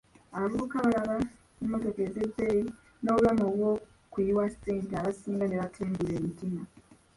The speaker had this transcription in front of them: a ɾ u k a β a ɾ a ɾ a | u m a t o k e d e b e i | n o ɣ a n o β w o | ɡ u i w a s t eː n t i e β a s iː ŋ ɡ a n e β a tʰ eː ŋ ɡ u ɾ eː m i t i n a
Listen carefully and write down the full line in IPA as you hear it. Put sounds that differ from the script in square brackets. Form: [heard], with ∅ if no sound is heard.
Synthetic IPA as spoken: a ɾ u k a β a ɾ a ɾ a | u m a t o k e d e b e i | n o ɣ a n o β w o | [k] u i w a s t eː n t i [a] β a s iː ŋ ɡ a n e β a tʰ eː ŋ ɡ u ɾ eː m i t i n a